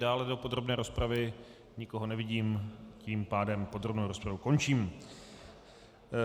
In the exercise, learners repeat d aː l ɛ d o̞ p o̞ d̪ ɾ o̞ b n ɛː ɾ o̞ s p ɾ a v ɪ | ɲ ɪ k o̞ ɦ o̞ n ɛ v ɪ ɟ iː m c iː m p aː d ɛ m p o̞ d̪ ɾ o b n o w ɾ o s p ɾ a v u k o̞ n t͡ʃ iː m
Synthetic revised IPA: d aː l ɛ d o̞ p o̞ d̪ ɾ o̞ b n ɛː ɾ o̞ s p ɾ a v ɪ | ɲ ɪ k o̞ ɦ o̞ n ɛ v ɪ ɟ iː m c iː m p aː d ɛ m p o̞ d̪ ɾ o b n o w ɾ o s p ɾ a v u k o̞ n t͡ʃ iː m